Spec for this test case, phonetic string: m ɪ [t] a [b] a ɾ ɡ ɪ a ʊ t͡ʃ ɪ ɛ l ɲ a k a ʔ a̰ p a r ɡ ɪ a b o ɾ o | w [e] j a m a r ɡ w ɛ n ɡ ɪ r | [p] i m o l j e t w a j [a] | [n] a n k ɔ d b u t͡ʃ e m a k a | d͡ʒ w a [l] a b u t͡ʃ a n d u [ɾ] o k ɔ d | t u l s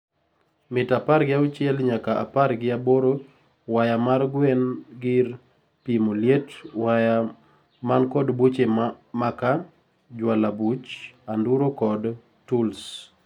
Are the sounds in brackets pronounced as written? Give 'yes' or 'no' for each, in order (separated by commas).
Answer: yes, no, no, yes, yes, no, yes, yes